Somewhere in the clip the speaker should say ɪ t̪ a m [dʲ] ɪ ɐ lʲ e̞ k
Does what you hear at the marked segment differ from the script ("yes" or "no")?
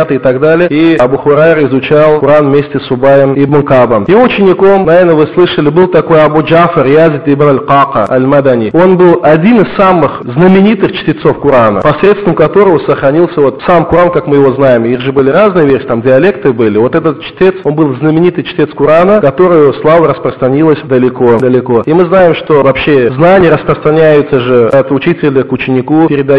no